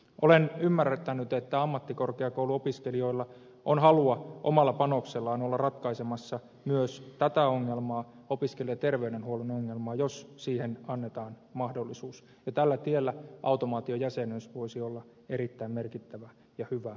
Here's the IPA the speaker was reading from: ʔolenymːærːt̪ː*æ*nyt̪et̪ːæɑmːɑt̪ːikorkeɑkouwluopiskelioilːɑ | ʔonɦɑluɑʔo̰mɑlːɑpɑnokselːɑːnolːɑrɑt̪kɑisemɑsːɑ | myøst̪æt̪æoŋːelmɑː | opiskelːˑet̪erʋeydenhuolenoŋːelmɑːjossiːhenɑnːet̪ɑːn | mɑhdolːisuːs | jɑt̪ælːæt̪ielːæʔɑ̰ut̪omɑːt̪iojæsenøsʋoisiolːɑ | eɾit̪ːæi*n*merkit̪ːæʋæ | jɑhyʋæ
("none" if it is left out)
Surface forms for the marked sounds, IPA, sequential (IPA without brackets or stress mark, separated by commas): æ, m